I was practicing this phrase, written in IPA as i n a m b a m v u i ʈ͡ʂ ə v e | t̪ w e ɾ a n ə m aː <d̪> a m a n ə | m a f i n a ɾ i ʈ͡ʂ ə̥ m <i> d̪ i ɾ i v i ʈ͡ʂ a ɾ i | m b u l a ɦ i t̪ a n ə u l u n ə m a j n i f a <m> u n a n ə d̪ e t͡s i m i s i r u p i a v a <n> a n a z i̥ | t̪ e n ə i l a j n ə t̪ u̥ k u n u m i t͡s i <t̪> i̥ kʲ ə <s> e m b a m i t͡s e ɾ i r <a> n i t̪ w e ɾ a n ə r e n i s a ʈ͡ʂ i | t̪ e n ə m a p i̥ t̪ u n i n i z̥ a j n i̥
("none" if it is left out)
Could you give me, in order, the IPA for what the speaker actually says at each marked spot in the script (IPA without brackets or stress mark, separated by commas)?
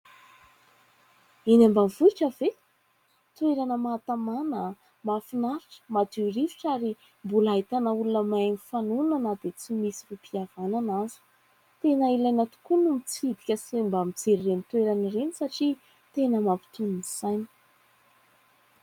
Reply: t̪, a, n, n, d̪, s, e